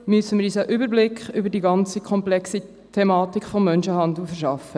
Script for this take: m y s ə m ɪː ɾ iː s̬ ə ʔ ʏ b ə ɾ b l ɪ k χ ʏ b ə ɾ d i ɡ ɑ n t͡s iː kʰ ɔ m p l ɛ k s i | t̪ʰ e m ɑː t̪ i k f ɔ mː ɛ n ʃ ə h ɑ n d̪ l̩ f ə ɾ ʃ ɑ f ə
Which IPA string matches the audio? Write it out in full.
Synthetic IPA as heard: m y s ə m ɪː ɾ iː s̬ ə ʔ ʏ b ə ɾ b l ɪ k χ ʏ b ə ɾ d i ɡ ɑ n t͡s i kʰ ɔ m p l ɛ k s i | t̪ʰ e m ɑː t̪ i k f ɔ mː œ n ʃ ə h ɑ n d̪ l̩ f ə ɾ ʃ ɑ f ə